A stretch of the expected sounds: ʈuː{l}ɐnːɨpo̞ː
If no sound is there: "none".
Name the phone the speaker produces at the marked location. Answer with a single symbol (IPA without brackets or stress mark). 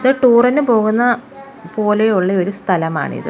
r